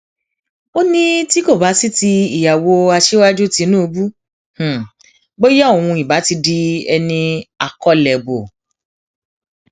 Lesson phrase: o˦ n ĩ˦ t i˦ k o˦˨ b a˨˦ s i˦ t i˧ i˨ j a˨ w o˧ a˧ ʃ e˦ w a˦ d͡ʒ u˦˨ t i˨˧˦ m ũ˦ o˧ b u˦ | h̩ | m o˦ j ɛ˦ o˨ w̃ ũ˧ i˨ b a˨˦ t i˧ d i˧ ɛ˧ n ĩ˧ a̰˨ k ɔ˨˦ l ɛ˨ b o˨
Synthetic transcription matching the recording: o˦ n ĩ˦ t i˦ k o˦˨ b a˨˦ s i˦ t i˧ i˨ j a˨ w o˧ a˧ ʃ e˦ w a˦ d͡ʒ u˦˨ t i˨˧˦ n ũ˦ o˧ b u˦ | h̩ | b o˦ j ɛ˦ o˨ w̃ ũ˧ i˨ b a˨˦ t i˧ d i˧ ɛ˧ n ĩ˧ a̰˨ k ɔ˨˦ l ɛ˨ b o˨